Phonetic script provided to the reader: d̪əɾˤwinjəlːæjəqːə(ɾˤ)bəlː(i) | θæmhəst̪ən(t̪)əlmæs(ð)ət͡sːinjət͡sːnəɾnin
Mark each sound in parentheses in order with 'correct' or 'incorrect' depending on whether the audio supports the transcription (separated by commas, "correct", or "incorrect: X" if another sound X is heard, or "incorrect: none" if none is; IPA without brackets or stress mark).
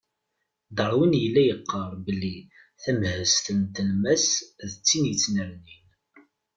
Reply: correct, correct, correct, correct